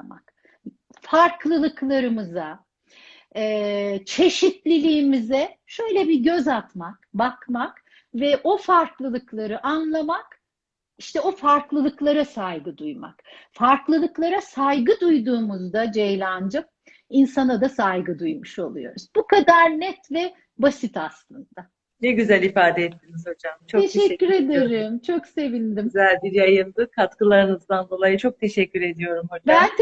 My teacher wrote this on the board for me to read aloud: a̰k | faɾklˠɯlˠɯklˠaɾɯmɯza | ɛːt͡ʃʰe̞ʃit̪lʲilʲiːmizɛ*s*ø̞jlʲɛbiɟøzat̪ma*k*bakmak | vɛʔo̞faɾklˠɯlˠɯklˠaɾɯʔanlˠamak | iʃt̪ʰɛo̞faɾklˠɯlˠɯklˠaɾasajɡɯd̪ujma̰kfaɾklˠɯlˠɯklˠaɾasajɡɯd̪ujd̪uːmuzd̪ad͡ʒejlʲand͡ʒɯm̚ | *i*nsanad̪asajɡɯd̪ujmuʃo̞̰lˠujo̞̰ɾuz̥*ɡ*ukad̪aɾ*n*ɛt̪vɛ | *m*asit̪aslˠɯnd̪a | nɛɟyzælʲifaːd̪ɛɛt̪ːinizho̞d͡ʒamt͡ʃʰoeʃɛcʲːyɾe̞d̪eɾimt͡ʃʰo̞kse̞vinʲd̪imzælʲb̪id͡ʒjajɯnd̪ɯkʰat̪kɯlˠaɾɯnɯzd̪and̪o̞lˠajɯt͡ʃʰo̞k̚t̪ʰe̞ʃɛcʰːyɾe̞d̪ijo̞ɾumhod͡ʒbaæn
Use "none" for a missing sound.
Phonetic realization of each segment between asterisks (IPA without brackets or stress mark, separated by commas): ʃ, k, i, b, n, b